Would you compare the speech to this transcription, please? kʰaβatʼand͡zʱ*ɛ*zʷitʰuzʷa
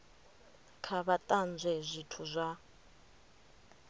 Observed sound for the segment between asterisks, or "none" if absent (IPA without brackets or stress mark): ɛ